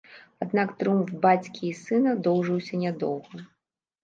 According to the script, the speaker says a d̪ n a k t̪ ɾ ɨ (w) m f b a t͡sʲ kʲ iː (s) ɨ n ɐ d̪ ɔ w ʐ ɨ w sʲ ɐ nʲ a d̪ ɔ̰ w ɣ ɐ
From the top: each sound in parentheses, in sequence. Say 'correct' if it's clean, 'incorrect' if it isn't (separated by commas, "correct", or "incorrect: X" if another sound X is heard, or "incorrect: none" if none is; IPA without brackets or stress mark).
incorrect: u, correct